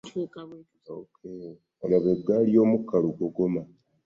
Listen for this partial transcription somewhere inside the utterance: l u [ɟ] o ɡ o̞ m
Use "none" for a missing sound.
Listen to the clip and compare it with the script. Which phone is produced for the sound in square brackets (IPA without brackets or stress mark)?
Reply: ɡ